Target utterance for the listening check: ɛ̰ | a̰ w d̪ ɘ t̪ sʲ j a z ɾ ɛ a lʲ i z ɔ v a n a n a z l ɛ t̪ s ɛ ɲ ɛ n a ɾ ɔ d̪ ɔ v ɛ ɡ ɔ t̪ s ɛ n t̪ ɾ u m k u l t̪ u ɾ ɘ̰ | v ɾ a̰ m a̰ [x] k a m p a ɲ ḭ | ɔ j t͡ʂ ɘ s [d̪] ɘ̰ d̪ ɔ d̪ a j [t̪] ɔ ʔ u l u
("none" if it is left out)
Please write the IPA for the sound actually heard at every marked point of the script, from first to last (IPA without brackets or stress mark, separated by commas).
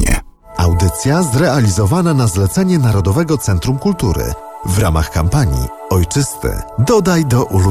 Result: x, t̪, d̪